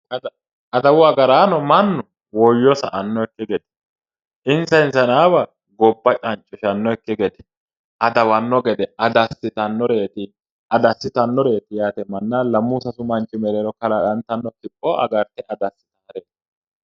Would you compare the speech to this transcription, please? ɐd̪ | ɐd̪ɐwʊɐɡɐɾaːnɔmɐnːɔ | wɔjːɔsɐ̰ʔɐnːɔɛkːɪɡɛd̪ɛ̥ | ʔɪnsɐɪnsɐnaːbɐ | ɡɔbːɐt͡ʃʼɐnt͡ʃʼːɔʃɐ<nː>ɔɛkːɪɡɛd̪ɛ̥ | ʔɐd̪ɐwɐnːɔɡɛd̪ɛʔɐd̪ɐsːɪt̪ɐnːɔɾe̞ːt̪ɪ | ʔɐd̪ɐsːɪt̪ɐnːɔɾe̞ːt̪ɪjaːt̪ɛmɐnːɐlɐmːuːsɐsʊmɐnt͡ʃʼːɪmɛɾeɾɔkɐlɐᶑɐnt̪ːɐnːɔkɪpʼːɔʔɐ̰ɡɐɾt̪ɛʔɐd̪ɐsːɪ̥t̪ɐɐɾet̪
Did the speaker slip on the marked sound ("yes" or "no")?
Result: no